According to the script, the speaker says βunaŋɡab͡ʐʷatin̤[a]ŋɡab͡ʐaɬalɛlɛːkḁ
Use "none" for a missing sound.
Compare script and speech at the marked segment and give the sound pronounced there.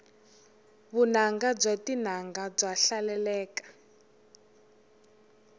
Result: a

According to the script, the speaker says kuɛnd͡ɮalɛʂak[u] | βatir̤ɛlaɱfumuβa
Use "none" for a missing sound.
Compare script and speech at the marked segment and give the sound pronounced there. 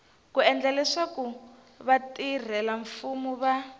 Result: u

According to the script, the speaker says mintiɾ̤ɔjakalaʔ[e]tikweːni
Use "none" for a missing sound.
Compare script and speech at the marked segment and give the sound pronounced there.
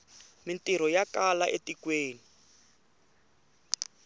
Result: e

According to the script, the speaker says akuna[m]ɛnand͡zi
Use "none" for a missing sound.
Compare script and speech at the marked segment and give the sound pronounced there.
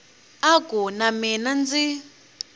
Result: m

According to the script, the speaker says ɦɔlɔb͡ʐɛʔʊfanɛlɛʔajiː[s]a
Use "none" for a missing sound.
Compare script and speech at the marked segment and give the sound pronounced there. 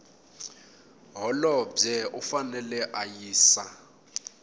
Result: s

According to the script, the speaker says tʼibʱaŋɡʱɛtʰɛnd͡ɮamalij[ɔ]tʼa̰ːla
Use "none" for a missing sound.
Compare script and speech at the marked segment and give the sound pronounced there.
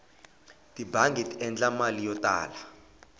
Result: ɔ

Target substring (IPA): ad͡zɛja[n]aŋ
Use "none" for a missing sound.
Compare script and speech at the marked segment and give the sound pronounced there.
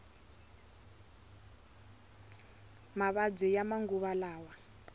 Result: m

